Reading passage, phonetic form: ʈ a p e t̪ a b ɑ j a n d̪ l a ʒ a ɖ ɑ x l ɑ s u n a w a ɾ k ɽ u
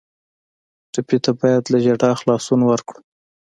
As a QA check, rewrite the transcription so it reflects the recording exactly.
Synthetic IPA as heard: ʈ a p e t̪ a b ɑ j a d̪ l a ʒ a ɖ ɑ x l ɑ s u n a w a ɾ k ɽ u